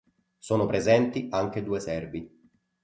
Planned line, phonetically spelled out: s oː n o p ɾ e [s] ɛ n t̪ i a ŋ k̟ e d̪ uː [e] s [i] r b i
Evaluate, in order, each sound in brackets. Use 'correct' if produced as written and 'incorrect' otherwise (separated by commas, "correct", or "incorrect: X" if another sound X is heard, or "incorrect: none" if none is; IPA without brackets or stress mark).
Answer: incorrect: z, correct, incorrect: ɛ